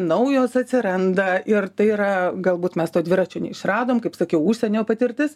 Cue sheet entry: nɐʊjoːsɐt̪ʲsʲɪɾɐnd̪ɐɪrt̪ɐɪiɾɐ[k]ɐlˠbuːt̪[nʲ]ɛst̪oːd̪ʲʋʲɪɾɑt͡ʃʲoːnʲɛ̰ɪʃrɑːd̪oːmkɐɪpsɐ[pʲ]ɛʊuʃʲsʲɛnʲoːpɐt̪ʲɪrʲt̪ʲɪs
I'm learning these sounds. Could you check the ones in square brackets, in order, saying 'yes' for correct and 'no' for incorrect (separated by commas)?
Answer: no, no, no